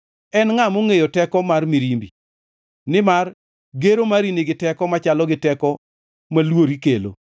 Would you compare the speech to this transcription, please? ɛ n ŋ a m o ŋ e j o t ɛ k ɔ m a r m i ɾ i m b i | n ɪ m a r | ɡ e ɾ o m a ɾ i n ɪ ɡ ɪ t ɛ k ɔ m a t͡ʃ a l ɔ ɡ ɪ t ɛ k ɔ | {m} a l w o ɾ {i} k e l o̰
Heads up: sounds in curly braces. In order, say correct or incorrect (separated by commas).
correct, correct